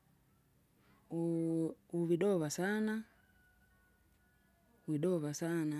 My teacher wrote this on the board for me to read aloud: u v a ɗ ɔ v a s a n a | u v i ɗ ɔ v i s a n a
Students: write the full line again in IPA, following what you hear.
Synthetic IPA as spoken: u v i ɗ ɔ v a s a n a | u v i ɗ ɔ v a s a n a